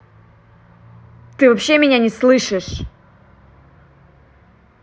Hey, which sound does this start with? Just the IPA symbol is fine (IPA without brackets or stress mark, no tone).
t̪